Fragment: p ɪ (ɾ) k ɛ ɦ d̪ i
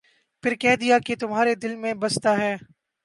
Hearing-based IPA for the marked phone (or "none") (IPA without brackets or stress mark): ɾ